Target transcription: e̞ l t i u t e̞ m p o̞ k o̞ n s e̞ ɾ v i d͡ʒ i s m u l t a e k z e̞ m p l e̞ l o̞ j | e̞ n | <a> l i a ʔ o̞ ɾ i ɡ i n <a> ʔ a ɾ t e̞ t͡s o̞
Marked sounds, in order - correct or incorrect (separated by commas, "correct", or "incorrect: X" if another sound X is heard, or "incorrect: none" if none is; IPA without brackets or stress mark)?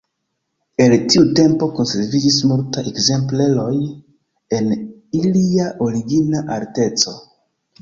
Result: incorrect: i, correct